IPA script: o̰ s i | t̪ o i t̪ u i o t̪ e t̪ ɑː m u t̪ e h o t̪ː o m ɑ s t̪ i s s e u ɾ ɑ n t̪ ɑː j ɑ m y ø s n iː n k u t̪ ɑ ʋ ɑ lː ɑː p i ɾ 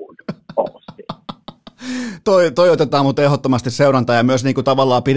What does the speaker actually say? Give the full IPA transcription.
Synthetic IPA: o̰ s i | t̪ o i t̪ o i o t̪ e t̪ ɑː m u t̪ e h o t̪ː o m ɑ s t̪ i s s e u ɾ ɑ n t̪ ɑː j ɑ m y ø s n iː ŋ k u t̪ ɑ ʋ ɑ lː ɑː p i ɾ